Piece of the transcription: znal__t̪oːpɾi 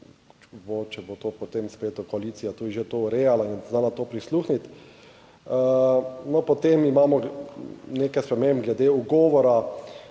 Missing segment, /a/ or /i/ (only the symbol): a